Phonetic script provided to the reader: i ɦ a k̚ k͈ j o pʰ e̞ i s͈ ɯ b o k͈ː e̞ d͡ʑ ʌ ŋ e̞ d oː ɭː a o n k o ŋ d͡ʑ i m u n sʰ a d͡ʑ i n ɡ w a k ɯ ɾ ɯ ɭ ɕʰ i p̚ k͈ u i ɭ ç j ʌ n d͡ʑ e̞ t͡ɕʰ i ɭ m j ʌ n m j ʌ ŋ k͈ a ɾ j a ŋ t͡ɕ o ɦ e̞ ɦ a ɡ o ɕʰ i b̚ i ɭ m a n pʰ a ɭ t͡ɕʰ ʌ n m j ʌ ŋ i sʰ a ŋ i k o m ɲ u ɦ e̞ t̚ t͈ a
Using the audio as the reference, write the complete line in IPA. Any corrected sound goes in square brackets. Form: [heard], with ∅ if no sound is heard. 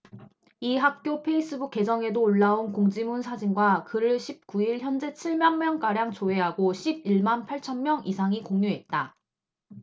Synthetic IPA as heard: i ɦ a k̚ k͈ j o pʰ e̞ i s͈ ɯ b [u] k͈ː e̞ d͡ʑ ʌ ŋ e̞ d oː ɭː a o n k o ŋ d͡ʑ i m u n sʰ a d͡ʑ i n ɡ w a k ɯ ɾ ɯ ɭ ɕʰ i p̚ k͈ u i ɭ ç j ʌ n d͡ʑ e̞ t͡ɕʰ i ɭ m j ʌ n m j ʌ ŋ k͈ a ɾ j a ŋ t͡ɕ o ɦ e̞ ɦ a ɡ o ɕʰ i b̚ i ɭ m a n pʰ a ɭ t͡ɕʰ ʌ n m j ʌ ŋ i sʰ a ŋ i k o [ŋ] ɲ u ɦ e̞ t̚ t͈ a